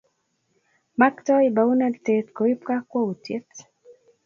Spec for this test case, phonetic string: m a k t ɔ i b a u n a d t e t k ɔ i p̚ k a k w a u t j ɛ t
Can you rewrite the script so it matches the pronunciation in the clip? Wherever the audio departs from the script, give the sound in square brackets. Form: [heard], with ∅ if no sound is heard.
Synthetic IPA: m a k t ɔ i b a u n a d t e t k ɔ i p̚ k a k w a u t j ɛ t